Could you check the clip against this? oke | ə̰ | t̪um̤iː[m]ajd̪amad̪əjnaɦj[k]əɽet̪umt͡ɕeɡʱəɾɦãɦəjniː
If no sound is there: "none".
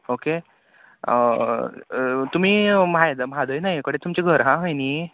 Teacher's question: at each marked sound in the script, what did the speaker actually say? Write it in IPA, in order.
m, k

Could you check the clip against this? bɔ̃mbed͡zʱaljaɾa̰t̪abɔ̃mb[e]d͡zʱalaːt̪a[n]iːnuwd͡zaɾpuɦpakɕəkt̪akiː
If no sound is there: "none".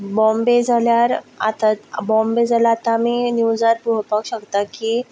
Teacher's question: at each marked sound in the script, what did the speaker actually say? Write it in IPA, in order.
e, m

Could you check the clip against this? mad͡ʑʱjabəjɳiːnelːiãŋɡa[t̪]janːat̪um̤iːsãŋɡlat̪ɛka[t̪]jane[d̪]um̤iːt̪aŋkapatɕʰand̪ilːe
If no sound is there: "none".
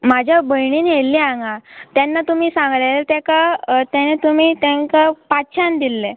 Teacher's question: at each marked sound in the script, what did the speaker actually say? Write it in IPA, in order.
t̪, t̪, t̪

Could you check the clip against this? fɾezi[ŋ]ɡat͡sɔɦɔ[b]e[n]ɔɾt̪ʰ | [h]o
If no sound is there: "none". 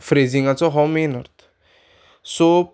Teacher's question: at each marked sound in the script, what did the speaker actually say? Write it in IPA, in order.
ŋ, m, n, s

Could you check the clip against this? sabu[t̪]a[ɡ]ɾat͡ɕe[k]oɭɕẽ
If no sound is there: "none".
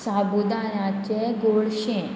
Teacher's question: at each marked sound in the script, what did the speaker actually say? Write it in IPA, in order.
d̪, none, ɡ

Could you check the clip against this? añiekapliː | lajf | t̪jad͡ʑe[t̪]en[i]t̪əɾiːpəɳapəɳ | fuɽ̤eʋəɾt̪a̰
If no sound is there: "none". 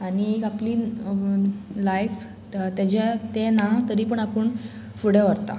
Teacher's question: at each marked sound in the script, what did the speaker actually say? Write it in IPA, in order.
t̪, a

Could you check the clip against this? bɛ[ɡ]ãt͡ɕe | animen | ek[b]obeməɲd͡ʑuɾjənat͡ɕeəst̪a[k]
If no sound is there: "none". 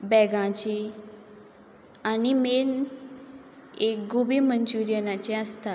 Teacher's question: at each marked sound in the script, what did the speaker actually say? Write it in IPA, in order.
ɡ, ɡ, none

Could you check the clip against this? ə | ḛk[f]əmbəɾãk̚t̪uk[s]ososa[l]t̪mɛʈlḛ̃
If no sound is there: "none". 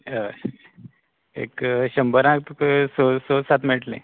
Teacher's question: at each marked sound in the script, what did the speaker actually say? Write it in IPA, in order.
ɕ, s, none

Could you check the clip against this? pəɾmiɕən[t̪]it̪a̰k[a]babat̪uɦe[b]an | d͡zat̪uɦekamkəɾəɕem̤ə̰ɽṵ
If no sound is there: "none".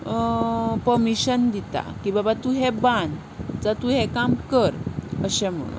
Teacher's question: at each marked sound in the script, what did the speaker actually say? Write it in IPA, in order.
d̪, i, b

